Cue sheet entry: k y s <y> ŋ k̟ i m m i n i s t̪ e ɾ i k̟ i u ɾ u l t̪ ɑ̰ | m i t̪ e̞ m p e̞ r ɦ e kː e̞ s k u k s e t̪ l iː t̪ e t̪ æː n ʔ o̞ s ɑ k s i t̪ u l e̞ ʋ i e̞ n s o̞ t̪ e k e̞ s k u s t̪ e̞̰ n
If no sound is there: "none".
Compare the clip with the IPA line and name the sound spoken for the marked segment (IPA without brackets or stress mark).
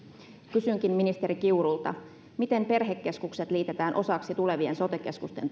y